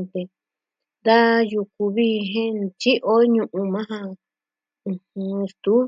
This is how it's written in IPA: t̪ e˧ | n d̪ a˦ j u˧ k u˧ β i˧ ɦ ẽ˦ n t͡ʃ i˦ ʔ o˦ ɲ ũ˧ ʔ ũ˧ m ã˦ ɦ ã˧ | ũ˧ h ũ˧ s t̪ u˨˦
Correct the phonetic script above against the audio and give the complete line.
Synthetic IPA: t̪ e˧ | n d̪ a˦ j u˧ k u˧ β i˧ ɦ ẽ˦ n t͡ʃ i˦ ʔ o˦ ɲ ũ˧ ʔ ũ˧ m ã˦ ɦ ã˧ | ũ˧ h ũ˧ s t̪ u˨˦